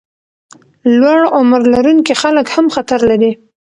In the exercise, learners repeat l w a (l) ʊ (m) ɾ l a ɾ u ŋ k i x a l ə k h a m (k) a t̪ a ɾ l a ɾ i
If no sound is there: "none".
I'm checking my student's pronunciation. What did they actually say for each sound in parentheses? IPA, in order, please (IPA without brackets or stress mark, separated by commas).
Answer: ɽ, m, x